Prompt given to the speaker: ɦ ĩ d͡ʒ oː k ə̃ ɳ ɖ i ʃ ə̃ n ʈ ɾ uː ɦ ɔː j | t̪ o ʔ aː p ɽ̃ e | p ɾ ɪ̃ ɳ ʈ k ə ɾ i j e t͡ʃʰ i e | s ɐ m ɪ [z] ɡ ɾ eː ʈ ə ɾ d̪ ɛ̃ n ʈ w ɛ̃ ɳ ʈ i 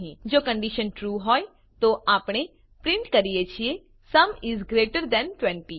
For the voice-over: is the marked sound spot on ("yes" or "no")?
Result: yes